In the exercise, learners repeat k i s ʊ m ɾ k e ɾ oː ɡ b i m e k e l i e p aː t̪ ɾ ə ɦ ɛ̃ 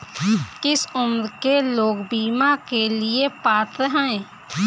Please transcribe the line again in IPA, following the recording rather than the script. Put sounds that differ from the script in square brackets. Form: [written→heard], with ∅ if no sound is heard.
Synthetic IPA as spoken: k [i→ɪ] s ʊ m ɾ k e [ɾ→l] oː ɡ b [i→iː] m [e→a] k e l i e p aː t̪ ɾ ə ɦ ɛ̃